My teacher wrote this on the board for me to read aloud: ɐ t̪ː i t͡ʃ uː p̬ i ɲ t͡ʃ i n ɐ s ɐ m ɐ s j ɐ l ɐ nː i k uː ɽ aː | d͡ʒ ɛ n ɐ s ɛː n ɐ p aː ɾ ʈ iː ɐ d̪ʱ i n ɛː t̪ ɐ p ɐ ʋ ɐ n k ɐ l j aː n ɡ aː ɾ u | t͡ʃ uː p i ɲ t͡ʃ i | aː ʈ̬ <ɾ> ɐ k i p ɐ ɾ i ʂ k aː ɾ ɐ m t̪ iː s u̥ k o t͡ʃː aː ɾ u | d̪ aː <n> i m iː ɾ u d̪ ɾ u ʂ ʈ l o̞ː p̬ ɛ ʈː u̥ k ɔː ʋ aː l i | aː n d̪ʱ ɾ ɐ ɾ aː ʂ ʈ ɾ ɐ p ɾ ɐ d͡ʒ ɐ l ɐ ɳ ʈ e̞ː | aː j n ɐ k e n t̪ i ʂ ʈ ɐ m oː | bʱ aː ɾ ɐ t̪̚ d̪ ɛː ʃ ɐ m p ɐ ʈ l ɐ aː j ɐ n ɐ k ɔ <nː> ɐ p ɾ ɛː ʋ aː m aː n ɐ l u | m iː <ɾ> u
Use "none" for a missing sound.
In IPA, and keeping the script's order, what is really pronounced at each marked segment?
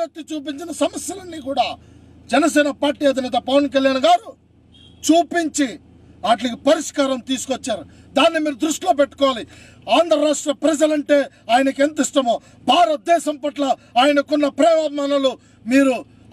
l, nː, nː, ɾ

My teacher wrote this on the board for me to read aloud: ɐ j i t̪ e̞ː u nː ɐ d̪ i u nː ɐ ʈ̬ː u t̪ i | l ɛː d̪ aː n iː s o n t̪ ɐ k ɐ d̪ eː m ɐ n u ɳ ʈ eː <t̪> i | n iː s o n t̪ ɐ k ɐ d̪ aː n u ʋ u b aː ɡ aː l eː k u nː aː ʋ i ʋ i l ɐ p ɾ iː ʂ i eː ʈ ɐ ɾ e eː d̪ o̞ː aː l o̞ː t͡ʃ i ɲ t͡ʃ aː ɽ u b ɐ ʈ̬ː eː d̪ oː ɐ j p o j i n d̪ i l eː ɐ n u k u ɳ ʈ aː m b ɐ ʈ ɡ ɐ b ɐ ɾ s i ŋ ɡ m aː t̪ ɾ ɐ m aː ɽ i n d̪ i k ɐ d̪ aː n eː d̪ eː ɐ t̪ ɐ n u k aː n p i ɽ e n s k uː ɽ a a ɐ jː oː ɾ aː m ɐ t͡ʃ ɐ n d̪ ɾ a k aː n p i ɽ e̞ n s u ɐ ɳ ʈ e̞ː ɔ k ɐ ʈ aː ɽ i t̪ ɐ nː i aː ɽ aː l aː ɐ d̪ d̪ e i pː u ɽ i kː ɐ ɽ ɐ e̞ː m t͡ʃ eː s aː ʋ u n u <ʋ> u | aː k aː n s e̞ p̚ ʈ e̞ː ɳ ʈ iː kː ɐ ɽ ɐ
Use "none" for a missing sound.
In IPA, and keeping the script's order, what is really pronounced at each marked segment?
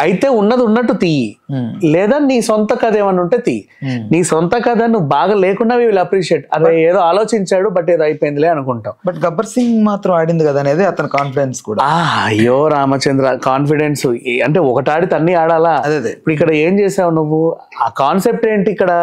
t̪, ʋː

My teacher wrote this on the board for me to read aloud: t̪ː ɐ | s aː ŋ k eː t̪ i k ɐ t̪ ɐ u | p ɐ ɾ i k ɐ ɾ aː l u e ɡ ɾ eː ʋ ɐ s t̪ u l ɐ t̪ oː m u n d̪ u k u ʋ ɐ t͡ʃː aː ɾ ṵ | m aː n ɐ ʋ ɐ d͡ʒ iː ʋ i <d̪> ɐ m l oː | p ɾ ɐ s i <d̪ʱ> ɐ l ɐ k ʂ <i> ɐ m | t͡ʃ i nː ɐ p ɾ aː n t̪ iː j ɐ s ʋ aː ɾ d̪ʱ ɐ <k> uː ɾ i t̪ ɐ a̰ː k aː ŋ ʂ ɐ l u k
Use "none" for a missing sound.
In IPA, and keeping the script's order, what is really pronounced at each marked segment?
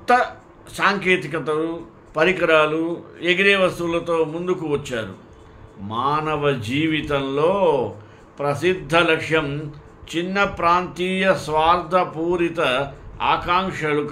t̪, d̪ʱː, j, p

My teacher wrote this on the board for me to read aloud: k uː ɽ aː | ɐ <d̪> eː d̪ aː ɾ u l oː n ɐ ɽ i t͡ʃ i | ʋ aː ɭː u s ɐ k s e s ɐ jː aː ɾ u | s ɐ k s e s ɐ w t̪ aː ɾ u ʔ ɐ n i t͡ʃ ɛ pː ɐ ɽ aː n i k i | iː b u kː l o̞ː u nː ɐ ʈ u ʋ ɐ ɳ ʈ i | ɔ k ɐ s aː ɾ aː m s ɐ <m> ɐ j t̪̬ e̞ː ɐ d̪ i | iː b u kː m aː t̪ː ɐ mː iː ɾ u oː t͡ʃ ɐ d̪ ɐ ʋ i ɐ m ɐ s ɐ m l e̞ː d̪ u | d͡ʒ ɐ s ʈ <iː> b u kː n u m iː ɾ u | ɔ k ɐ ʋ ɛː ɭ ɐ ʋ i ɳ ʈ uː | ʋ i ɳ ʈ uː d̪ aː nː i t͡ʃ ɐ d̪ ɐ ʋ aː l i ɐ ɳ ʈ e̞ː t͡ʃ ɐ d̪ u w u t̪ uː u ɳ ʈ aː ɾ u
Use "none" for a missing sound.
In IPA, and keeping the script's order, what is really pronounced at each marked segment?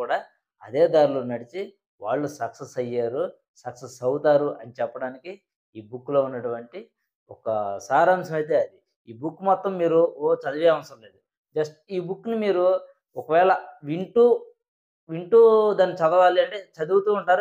d̪, m, iː

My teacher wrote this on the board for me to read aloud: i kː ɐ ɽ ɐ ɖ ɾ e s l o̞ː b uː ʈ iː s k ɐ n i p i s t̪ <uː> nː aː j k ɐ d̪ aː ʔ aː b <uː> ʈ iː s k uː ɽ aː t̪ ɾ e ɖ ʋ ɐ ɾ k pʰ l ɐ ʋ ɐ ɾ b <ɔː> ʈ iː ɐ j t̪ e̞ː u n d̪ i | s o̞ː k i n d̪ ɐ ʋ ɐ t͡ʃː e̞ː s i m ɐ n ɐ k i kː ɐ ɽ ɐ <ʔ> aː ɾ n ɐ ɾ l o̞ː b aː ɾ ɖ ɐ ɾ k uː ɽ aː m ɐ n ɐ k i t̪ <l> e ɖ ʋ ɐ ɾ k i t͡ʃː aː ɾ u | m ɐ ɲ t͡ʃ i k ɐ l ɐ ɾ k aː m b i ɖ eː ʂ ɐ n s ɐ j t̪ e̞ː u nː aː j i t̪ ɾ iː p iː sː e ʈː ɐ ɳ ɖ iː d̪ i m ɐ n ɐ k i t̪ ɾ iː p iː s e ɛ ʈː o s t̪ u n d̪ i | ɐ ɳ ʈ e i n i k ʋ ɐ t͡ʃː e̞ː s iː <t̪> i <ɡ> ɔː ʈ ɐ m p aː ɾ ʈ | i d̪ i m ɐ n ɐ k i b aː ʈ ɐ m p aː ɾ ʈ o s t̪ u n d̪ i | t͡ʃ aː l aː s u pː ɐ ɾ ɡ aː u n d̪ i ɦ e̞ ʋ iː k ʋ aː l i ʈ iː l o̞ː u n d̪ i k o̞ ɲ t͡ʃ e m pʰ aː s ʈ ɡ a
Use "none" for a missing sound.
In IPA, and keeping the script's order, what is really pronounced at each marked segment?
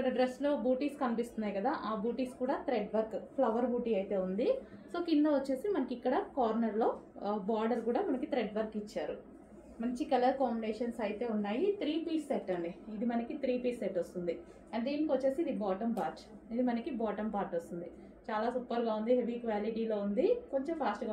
u, uː, uː, k, ɾ, d̪, b

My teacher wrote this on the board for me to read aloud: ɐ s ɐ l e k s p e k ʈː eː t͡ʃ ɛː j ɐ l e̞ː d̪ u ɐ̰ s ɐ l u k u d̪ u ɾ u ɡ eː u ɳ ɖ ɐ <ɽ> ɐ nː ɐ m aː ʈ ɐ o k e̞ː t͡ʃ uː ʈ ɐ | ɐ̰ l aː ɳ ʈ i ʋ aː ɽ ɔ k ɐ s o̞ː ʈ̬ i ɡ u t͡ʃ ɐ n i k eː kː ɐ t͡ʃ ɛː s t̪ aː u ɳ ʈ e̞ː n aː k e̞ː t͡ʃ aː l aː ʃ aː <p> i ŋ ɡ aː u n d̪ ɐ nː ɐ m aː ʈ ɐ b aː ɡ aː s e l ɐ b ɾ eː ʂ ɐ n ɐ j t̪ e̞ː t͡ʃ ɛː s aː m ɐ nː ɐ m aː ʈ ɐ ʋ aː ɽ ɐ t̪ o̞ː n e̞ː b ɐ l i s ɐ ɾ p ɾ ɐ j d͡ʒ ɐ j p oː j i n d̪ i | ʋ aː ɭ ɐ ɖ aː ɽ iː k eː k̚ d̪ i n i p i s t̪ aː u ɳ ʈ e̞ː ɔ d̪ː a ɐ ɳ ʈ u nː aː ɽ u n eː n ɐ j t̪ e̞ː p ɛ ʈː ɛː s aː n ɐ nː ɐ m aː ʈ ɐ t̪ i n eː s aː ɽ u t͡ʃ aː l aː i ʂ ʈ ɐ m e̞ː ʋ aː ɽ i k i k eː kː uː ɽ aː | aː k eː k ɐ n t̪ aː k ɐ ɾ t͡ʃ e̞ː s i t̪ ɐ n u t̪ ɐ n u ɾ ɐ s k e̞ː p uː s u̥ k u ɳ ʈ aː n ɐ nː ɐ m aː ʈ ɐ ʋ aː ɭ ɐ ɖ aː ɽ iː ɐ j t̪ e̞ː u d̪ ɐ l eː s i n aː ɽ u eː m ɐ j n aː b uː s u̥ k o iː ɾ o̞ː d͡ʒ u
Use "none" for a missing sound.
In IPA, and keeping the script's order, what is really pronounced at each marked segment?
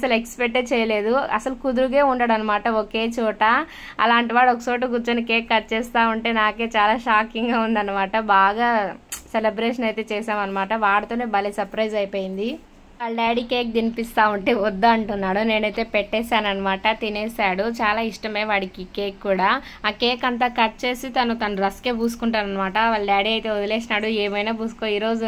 ɽ, k

